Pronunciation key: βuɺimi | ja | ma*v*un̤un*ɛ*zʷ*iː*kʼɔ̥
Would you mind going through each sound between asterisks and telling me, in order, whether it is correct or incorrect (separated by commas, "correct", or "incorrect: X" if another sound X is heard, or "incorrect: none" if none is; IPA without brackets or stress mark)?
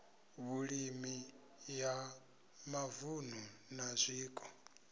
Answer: correct, incorrect: a, correct